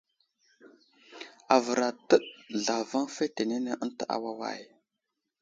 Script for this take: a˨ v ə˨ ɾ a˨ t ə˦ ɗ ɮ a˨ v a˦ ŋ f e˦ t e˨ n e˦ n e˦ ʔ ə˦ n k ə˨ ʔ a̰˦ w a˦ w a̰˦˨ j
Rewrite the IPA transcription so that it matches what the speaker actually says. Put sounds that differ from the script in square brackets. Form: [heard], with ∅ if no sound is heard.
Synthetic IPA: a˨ v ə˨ ɾ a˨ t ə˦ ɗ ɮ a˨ v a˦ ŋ f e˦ t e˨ n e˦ n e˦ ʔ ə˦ n [t] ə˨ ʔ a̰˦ w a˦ w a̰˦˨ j

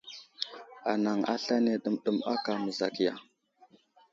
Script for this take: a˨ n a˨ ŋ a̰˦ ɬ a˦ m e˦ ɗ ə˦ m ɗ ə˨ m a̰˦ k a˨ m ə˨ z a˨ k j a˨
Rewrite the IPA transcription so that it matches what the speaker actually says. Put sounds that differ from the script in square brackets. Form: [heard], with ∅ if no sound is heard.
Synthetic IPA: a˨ n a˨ ŋ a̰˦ ɬ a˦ [n] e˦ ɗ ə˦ m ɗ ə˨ m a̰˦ k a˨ m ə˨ z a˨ k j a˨

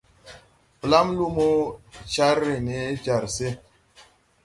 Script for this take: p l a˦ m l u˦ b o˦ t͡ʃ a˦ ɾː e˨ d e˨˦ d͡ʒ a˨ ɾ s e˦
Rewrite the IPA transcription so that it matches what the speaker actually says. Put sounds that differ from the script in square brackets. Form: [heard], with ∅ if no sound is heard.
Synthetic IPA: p l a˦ m l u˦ [m] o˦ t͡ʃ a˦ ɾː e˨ [n] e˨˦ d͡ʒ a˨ ɾ s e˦

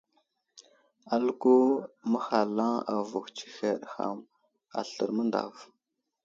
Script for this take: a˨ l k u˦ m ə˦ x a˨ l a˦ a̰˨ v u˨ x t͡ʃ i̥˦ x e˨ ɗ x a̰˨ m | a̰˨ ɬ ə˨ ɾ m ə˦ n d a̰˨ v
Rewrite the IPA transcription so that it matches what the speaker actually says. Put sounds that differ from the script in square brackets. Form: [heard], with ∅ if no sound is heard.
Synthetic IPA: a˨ l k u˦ m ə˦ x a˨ l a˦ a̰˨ v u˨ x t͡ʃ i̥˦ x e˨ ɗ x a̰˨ m | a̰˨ ɬ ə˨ ɾ m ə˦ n d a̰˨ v

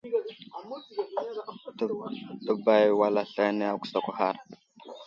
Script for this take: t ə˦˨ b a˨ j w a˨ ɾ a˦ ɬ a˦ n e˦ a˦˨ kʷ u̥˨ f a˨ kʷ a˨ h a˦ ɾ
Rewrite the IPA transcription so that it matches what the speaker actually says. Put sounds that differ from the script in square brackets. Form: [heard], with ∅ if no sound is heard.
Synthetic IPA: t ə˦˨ b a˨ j w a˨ [l] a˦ ɬ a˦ n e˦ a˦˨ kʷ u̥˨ [s] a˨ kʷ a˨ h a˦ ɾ

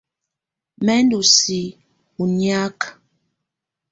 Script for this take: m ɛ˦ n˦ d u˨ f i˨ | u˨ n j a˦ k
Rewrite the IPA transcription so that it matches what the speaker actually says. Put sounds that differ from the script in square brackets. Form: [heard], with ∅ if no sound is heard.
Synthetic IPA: m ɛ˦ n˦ d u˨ [s] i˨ | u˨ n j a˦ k

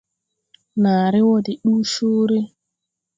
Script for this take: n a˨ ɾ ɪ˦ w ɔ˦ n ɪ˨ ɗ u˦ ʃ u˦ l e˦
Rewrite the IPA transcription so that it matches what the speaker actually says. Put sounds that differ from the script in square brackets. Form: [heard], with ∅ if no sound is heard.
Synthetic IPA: n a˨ ɾ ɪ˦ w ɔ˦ [d] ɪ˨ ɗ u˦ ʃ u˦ [ɾ] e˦

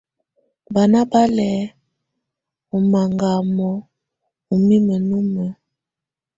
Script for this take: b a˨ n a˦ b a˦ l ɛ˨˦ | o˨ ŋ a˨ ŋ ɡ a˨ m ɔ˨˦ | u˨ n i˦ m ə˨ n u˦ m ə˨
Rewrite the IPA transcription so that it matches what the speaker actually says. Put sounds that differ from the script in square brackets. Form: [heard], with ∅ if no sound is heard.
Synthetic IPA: b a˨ n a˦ b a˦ l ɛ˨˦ | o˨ [m] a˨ ŋ ɡ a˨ m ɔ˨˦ | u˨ [m] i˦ m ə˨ n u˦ m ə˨

